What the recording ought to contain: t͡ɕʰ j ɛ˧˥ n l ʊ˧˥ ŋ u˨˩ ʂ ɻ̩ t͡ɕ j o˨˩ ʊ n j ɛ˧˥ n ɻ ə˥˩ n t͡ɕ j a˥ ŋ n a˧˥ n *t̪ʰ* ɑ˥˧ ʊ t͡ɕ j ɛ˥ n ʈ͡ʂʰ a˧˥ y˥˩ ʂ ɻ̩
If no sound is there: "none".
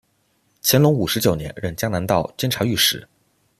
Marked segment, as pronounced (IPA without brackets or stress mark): t̪